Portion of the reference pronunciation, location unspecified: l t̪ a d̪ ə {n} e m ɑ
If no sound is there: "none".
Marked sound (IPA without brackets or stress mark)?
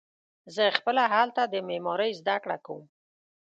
m